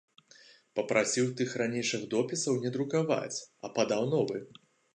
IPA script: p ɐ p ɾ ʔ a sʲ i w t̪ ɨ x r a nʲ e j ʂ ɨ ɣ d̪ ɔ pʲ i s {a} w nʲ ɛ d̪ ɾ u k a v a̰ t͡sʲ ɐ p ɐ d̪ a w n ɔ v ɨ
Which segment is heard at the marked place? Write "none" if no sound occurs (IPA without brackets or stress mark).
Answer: ɐ